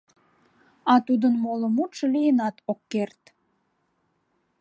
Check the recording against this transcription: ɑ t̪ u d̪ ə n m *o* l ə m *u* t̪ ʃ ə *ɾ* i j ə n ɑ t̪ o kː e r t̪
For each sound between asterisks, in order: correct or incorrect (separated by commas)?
correct, correct, incorrect